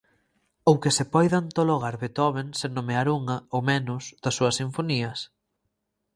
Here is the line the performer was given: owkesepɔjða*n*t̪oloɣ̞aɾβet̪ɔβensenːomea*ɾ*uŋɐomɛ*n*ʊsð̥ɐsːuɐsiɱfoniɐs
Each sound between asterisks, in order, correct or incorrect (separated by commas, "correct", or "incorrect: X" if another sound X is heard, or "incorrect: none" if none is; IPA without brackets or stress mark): correct, correct, correct